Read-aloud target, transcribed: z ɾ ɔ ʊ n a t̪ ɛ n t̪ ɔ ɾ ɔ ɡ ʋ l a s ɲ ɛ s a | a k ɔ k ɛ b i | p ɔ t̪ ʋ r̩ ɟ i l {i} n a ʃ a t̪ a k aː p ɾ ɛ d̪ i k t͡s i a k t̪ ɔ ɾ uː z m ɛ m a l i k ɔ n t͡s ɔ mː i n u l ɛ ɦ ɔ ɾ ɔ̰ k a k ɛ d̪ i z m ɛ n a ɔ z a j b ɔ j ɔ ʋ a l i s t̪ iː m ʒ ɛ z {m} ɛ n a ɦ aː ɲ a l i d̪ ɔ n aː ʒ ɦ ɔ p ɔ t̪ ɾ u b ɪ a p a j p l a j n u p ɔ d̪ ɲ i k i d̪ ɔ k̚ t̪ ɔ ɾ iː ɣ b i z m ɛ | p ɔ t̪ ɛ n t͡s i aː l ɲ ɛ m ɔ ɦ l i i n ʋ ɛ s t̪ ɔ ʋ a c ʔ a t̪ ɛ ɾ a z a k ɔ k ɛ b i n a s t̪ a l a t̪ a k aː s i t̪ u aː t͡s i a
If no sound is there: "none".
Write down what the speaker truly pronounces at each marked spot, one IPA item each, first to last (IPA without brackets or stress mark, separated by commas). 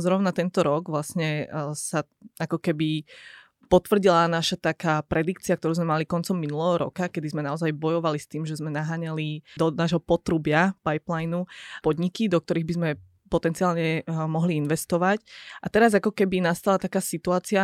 a, m